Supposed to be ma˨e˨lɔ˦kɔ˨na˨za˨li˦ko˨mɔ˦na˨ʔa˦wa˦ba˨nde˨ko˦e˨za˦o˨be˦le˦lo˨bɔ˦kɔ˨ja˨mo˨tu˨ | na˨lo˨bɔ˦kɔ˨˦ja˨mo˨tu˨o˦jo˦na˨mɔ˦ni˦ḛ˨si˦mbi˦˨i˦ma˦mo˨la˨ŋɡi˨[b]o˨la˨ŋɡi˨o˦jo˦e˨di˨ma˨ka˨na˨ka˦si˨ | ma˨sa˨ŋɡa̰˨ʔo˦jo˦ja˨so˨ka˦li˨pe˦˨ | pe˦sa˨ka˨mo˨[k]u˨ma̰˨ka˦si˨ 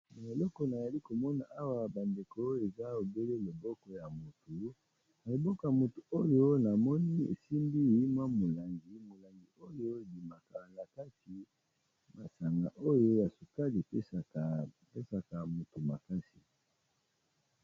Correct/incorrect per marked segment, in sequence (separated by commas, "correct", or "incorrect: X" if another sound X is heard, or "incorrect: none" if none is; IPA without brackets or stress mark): incorrect: m, incorrect: t